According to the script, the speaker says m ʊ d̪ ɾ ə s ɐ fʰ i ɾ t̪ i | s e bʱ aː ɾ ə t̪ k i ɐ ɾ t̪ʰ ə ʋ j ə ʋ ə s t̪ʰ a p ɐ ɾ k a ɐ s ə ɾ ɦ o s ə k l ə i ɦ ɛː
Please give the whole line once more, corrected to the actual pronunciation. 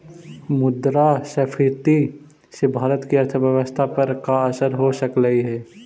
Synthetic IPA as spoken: m ʊ d̪ ɾ a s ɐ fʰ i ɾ t̪ i | s e bʱ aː ɾ ə t̪ k i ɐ ɾ t̪ʰ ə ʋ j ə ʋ ə s t̪ʰ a p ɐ ɾ k a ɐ s ə ɾ ɦ o s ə k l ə i ɦ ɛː